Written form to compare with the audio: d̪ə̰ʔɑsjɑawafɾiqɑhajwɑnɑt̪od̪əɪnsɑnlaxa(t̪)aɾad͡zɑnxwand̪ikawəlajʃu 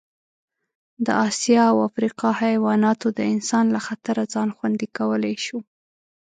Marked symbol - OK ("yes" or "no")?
yes